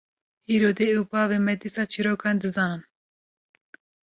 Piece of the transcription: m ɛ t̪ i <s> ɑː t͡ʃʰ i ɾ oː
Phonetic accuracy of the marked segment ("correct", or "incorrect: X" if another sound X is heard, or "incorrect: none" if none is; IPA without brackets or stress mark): correct